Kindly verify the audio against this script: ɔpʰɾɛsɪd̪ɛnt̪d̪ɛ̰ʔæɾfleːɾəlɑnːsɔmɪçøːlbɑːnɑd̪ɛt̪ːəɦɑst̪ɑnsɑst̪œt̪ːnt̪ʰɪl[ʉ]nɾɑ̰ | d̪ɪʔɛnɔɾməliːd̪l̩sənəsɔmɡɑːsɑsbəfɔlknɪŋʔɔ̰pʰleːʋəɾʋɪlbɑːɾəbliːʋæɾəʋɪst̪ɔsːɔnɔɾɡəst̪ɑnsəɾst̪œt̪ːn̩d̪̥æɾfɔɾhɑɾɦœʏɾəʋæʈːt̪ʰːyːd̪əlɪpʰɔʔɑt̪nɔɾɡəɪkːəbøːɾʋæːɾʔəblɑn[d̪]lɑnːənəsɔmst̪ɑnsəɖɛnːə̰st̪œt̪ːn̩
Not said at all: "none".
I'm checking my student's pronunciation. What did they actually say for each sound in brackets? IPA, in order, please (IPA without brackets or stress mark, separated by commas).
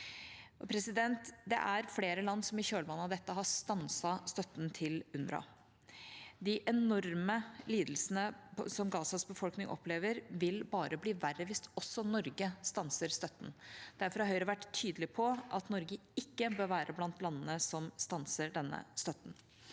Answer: ʉ, t̪